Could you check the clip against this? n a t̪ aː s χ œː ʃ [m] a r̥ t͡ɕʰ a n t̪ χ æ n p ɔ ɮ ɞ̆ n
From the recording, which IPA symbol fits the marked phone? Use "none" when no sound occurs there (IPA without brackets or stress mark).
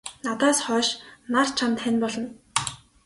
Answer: n